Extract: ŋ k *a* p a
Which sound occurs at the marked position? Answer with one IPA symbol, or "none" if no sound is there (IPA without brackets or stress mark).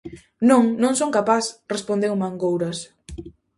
a